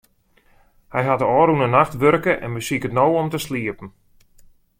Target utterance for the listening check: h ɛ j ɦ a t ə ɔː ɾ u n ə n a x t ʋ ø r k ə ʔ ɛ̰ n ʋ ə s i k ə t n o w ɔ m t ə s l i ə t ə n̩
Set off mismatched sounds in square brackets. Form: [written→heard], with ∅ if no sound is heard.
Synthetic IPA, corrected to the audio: h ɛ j ɦ a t ə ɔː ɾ u n ə n a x t ʋ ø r k ə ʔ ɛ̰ n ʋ ə s i k ə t n o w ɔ m t ə s l i ə [t→p] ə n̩

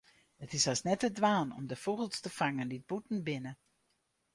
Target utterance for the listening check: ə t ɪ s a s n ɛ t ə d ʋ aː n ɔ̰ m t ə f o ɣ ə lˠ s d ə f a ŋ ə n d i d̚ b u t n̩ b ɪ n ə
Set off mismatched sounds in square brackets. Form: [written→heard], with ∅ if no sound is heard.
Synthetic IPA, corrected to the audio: ə t ɪ s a s n ɛ t ə d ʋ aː n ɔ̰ m [t→d] ə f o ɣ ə lˠ s [d→t] ə f a ŋ ə n d i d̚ b u t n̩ b ɪ n ə

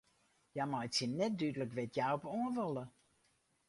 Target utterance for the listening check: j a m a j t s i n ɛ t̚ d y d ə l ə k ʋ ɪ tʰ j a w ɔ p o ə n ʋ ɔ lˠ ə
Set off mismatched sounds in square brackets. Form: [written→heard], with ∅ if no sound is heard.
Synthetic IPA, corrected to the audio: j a m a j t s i n ɛ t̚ d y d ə l ə k ʋ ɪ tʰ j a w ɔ p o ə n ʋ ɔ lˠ ə

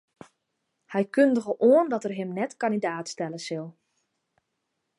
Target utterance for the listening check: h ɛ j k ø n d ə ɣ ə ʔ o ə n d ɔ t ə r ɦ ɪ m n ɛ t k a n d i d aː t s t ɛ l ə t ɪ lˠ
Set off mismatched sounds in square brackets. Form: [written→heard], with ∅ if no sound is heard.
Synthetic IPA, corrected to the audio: h ɛ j k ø n d ə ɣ ə ʔ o ə n d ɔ t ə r ɦ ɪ m n ɛ t k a n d i d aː t s t ɛ l ə [t→s] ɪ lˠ

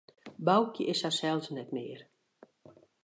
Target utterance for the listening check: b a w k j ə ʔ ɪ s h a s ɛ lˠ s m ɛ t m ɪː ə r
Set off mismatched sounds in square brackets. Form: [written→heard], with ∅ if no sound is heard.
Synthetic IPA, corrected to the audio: b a w k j ə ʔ ɪ s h a s ɛ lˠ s [m→n] ɛ t m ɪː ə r

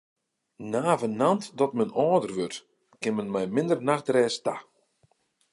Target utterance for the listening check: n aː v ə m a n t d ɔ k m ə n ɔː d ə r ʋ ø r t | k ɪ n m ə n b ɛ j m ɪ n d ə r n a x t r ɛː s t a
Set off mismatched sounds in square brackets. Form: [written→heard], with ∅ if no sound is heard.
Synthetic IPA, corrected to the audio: n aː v ə [m→n] a n t d ɔ [k→t] m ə n ɔː d ə r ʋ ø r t | k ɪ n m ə n [b→m] ɛ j m ɪ n d ə r n a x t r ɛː s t a

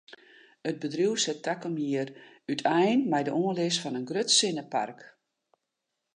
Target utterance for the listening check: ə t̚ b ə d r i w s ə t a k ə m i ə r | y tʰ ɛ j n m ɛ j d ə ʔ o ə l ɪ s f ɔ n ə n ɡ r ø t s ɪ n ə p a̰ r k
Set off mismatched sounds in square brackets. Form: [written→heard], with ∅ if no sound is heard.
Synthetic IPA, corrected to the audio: ə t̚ b ə d r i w s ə t a k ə m i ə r | y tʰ ɛ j n m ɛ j d ə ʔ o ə l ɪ s f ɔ n ə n ɡ r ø t s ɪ n ə p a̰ r k

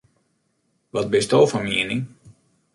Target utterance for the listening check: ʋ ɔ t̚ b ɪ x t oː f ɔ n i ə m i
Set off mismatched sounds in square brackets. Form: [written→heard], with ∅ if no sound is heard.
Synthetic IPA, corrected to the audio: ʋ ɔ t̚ b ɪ [x→s] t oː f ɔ [n→m] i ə [m→n] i

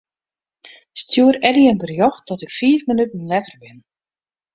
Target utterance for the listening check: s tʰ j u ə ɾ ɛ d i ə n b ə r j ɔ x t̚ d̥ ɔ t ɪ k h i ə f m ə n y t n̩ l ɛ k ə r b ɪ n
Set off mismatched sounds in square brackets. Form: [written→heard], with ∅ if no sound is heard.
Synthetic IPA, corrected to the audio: s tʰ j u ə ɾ ɛ d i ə n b ə r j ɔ x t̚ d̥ ɔ t ɪ k [h→f] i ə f m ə n y t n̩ l ɛ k ə r b ɪ n

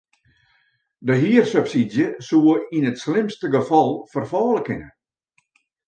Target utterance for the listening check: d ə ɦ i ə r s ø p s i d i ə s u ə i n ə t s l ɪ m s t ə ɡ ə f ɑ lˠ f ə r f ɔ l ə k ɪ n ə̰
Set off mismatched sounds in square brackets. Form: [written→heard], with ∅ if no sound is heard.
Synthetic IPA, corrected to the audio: d ə ɦ i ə r s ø p s i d [i→j] ə s u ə i n ə t s l ɪ m s t ə ɡ ə f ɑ lˠ f ə r f [ɔ→ɔː] l ə k ɪ n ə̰

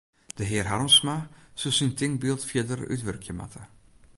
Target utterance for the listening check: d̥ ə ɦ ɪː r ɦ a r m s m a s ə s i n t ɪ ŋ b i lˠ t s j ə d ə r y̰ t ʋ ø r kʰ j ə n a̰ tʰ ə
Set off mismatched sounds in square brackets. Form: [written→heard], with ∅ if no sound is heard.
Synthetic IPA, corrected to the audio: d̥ ə ɦ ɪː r ɦ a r m s m a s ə s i n t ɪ ŋ b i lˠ t [s→f] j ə d ə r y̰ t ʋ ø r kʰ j ə [n→m] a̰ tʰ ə

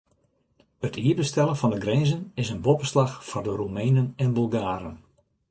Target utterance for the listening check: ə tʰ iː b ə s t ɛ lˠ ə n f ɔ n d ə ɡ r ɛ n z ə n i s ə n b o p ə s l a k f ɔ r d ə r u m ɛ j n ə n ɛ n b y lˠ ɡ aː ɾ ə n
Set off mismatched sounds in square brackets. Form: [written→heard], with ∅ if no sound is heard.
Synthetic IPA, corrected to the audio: ə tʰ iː b ə s t ɛ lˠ ə n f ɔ n d ə ɡ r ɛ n z ə n [i→ɪ] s ə n b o p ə s l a [k→x] f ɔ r d ə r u m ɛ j n ə n ɛ n b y lˠ ɡ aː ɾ ə n

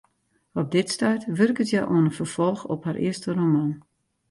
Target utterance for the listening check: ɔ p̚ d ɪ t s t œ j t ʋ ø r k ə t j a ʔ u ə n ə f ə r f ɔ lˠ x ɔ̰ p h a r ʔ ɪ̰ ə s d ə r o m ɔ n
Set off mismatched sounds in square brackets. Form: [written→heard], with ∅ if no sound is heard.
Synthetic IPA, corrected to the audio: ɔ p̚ d ɪ t s t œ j t ʋ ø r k ə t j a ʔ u ə n ə f ə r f ɔ lˠ x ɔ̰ p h a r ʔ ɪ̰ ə s [d→t] ə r o m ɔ n

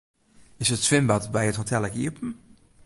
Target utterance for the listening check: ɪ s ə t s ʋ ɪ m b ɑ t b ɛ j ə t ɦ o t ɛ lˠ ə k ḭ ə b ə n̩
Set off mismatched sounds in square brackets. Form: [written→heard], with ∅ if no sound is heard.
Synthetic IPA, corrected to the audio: ɪ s ə t s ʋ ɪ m b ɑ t b ɛ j ə t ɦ o t ɛ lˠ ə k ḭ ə [b→p] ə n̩

